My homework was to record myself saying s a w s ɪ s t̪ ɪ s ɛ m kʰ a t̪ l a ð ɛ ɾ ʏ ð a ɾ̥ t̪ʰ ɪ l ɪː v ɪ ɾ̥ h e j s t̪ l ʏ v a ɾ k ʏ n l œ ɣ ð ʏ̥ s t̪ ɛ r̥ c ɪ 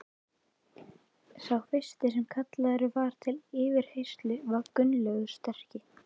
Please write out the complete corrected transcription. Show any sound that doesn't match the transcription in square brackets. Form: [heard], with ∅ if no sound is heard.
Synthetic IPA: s a w [f] ɪ s t̪ ɪ s ɛ m kʰ a t̪ l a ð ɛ ɾ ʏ [v] a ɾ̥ t̪ʰ ɪ l ɪː v ɪ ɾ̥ h e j s t̪ l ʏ v a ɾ k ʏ n l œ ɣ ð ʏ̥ s t̪ ɛ r̥ c ɪ